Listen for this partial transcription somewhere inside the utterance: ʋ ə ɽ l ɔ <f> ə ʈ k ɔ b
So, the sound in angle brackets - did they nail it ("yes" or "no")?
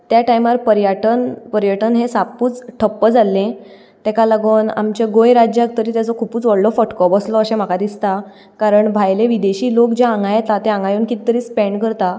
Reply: yes